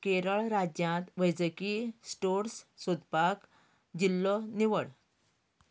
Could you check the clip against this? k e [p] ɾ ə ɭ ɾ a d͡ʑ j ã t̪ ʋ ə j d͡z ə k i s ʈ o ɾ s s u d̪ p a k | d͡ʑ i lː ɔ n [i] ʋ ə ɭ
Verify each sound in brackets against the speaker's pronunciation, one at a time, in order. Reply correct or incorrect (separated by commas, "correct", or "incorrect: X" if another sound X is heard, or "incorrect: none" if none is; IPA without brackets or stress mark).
incorrect: none, correct